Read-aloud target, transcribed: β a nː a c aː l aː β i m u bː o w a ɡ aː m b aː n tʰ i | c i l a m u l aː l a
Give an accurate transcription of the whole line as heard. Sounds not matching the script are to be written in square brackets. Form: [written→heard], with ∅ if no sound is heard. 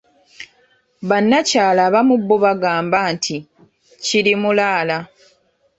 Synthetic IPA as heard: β a nː a c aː l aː β [i→a] m u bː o [w→β] a ɡ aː m b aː n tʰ i | c i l [a→i] m u l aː l a